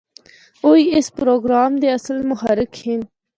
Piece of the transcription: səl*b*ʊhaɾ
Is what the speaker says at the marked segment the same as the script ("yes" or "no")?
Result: no